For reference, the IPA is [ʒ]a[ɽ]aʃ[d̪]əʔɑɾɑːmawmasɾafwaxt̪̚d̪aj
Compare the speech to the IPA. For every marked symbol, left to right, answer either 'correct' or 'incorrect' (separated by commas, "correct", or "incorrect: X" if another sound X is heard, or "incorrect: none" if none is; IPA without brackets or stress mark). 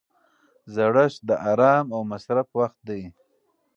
incorrect: z, correct, correct